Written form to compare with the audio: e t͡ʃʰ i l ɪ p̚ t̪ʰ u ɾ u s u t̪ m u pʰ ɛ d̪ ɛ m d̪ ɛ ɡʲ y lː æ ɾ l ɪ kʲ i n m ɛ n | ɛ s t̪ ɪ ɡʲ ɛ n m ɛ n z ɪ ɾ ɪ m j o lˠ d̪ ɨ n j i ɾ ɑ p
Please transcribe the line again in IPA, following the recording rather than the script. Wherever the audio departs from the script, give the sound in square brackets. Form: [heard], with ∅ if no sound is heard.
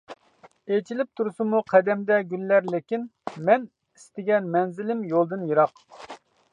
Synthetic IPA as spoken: e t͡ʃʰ i l ɪ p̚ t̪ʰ u ɾ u s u [∅] m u [qʰ] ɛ d̪ ɛ m d̪ ɛ ɡʲ y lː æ ɾ l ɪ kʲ i n m ɛ n | [i] s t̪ ɪ ɡʲ ɛ n m ɛ n z ɪ [l] ɪ m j o lˠ d̪ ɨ n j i ɾ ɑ [q]

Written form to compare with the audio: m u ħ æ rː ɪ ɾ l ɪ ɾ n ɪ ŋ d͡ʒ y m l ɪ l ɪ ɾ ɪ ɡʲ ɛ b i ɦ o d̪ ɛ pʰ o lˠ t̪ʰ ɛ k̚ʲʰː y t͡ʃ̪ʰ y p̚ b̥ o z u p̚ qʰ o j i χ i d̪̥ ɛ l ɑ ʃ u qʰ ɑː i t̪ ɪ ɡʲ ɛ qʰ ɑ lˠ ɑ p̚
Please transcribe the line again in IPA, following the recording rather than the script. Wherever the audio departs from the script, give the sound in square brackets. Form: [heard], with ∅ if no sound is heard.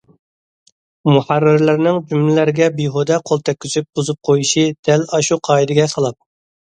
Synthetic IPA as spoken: m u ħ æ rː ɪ ɾ l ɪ ɾ n ɪ ŋ d͡ʒ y m l ɪ l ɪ ɾ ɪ ɡʲ ɛ b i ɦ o d̪ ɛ [qʰ] o lˠ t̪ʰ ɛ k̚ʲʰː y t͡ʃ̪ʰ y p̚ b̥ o z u p̚ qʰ o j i [ʃ] i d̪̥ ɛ l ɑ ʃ u qʰ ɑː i [d̪] ɪ ɡʲ ɛ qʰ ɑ lˠ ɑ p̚

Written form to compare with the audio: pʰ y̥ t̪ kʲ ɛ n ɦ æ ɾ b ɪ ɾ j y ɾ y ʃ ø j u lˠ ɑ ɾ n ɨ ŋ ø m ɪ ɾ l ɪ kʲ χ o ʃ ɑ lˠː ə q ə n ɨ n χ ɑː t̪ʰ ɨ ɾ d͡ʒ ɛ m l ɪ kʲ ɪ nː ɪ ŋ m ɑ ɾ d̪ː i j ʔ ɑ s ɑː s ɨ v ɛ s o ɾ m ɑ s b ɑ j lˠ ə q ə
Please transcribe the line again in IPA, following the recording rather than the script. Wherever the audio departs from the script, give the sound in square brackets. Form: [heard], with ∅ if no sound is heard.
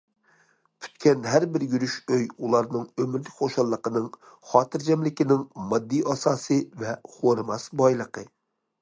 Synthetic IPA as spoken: pʰ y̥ t̪ kʲ ɛ n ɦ æ ɾ b ɪ ɾ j y ɾ y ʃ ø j u lˠ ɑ ɾ n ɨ ŋ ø m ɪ ɾ l ɪ kʲ χ o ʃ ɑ lˠː ə q ə n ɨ [ŋ] χ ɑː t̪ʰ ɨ ɾ d͡ʒ ɛ m l ɪ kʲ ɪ [n] ɪ ŋ m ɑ [∅] d̪ː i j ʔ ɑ s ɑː s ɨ v ɛ [χ] o ɾ m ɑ s b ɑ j lˠ ə q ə

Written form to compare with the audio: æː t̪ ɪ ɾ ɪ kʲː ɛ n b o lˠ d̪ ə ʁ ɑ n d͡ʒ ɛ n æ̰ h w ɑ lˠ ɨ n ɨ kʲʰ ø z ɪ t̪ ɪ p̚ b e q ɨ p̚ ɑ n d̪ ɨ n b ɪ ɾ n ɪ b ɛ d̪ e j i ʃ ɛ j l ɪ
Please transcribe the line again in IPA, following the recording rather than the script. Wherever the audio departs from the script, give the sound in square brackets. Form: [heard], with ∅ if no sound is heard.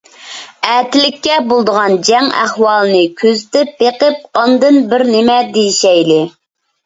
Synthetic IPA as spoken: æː t̪ ɪ [l] ɪ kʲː ɛ [∅] b o lˠ d̪ ə ʁ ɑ n d͡ʒ ɛ [ŋ] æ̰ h w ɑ lˠ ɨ n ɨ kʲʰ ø z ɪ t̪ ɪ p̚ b e q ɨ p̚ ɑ n d̪ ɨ n b ɪ ɾ n ɪ [m] ɛ d̪ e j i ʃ ɛ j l ɪ

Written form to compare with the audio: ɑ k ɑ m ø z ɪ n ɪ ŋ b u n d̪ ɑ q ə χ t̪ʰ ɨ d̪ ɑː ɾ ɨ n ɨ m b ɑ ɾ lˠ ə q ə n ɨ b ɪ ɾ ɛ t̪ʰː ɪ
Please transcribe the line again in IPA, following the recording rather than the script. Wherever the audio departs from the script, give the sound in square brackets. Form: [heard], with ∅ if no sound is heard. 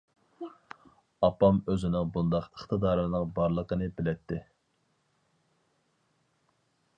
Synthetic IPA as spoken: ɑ [p] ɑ m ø z ɪ n ɪ ŋ b u n d̪ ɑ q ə χ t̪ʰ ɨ d̪ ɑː ɾ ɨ n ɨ [ŋ] b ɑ ɾ lˠ ə q ə n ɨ b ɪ [l] ɛ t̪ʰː ɪ

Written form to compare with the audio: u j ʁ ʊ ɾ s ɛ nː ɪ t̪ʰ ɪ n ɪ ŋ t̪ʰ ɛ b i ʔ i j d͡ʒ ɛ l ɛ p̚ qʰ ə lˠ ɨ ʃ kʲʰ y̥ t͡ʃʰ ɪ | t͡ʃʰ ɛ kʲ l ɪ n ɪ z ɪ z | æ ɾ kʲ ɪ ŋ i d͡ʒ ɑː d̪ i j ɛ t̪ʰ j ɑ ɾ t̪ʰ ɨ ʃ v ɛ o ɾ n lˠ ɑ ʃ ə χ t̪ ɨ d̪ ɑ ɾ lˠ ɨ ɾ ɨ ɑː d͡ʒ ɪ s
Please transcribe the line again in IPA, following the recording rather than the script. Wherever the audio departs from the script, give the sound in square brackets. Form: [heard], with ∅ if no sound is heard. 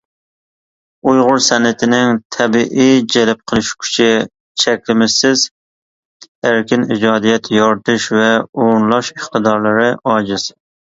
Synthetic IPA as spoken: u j ʁ ʊ ɾ s ɛ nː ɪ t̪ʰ ɪ n ɪ ŋ t̪ʰ ɛ b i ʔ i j d͡ʒ ɛ l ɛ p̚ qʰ ə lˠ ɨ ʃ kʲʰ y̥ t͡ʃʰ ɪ | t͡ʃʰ ɛ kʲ l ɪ [m] ɪ [s] ɪ z | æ ɾ kʲ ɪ [n] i d͡ʒ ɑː d̪ i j ɛ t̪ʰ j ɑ ɾ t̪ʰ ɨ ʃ v ɛ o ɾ n lˠ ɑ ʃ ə χ t̪ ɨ d̪ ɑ ɾ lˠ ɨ ɾ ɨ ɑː d͡ʒ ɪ s

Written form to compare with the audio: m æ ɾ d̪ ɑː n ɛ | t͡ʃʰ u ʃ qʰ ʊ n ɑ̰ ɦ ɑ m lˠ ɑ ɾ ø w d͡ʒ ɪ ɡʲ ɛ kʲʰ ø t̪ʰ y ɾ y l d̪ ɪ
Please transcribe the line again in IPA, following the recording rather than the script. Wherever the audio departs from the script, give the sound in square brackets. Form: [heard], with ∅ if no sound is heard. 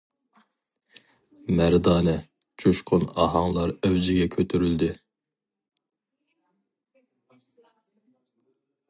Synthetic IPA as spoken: m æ ɾ d̪ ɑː n ɛ | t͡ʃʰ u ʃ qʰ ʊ n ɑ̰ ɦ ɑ [ŋ] lˠ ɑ ɾ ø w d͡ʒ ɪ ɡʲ ɛ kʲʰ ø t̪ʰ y ɾ y l d̪ ɪ

